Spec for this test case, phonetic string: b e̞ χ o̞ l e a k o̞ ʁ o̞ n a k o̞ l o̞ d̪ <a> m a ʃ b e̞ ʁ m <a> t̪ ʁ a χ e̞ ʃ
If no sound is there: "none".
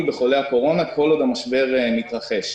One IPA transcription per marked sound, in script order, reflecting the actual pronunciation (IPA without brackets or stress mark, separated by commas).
a, i